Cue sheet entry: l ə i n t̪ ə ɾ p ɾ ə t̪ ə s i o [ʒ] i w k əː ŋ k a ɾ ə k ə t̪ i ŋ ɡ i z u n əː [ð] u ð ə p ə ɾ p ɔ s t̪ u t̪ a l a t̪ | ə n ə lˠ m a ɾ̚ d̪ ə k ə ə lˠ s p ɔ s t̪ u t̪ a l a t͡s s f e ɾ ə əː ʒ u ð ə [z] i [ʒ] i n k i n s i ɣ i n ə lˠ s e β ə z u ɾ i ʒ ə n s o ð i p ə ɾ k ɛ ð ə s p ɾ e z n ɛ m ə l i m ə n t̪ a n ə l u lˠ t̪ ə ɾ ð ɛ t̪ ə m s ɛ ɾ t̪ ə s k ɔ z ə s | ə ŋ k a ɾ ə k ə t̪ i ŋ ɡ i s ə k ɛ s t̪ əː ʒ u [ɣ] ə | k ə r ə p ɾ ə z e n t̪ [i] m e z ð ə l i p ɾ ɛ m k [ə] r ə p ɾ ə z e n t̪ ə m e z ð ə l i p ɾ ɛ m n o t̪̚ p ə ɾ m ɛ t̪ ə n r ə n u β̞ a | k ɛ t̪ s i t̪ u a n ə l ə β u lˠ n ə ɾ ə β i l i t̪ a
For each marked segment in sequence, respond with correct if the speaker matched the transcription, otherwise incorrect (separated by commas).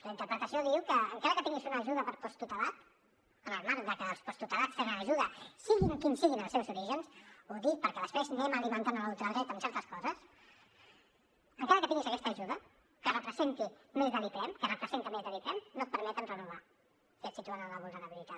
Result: incorrect, incorrect, incorrect, incorrect, incorrect, correct, correct